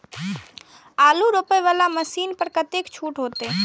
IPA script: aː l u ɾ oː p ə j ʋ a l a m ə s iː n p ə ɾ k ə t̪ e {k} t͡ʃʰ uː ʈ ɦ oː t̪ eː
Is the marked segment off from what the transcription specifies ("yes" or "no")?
no